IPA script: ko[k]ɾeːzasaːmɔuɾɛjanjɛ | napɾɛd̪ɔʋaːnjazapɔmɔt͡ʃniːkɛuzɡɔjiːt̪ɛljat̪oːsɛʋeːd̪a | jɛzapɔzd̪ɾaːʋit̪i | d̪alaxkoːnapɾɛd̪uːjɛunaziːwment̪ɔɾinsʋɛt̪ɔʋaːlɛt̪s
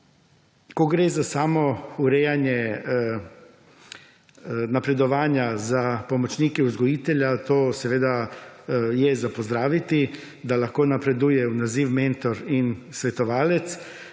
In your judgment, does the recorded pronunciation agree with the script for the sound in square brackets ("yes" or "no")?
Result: no